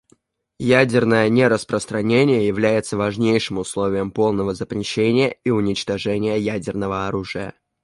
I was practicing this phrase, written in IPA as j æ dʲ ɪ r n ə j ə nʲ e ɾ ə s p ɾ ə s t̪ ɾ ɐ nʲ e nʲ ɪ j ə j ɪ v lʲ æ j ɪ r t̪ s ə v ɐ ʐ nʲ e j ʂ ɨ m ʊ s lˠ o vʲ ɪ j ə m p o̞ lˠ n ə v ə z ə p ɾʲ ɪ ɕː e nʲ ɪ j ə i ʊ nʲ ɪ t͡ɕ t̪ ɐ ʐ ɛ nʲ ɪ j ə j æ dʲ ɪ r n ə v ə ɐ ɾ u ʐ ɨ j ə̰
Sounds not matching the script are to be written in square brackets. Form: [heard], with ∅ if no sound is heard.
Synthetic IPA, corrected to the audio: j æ dʲ ɪ r n ə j ə nʲ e ɾ ə s p ɾ ə s t̪ ɾ ɐ nʲ e nʲ ɪ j ə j ɪ v lʲ æ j ɪ [∅] t̪ s ə v ɐ ʐ nʲ e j ʂ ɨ m ʊ s lˠ o vʲ ɪ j ə m p o̞ lˠ n ə v ə z ə p ɾʲ ɪ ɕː e nʲ ɪ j ə i ʊ nʲ ɪ t͡ɕ t̪ ɐ ʐ ɛ nʲ ɪ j ə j æ dʲ ɪ r n ə v ə ɐ ɾ u ʐ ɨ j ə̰